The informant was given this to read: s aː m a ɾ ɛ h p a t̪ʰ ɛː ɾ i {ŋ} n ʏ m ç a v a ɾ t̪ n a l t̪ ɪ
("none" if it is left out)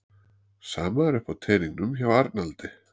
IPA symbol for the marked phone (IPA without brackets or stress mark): ŋ